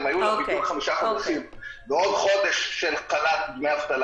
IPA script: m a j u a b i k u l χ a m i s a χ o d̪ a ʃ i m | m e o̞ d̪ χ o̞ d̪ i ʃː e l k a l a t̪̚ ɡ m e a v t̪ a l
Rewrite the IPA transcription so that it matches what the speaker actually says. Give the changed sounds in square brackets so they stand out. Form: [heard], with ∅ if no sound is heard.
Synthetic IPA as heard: m a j u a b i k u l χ a m i [ʃ] a χ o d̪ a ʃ i m | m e o̞ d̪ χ o̞ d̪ [e] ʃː e l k a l a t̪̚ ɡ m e a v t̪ a l